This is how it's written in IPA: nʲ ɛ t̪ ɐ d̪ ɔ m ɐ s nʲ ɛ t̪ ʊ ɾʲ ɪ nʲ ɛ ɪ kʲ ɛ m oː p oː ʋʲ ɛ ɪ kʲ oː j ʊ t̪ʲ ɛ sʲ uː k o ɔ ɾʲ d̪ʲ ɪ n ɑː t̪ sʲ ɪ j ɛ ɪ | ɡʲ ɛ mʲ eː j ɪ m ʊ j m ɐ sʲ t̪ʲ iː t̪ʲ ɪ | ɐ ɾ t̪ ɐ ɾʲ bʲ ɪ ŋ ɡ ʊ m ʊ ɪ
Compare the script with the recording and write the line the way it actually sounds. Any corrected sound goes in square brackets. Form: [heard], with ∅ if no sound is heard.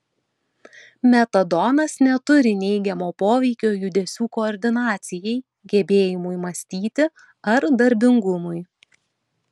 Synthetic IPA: [mʲ] ɛ t̪ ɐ d̪ ɔ [n] ɐ s nʲ ɛ t̪ ʊ ɾʲ ɪ nʲ ɛ ɪ [ɡʲ] ɛ m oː p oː ʋʲ ɛ ɪ kʲ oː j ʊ [d̪ʲ] ɛ sʲ uː k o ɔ ɾʲ d̪ʲ ɪ n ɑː t̪ sʲ ɪ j ɛ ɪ | ɡʲ ɛ [bʲ] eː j ɪ m ʊ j m ɐ sʲ t̪ʲ iː t̪ʲ ɪ | ɐ ɾ [d̪] ɐ ɾʲ bʲ ɪ ŋ ɡ ʊ m ʊ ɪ